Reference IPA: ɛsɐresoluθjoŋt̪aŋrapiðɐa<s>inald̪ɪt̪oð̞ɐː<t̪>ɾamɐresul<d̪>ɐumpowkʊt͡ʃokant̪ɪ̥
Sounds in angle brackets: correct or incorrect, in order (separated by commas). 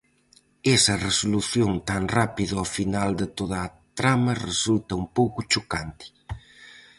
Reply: incorrect, correct, incorrect